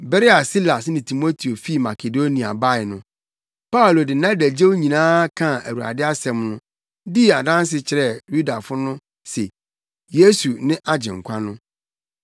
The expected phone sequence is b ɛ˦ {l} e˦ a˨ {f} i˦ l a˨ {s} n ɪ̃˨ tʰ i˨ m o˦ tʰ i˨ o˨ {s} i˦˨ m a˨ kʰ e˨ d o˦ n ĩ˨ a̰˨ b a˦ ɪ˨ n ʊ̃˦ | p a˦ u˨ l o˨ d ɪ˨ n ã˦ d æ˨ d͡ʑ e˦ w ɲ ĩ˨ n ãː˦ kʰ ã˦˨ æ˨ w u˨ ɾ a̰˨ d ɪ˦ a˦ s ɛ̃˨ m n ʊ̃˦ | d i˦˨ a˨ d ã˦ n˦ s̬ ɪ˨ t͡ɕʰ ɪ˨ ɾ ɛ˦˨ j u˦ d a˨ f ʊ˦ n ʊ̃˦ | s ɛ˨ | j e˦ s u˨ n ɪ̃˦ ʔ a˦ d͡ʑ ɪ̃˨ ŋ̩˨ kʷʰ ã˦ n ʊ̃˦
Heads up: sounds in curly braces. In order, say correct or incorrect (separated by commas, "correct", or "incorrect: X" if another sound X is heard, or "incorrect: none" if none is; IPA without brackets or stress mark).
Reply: incorrect: ɾ, incorrect: s, correct, incorrect: f